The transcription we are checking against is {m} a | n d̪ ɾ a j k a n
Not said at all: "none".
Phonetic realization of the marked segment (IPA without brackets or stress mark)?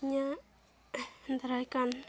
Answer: ɲ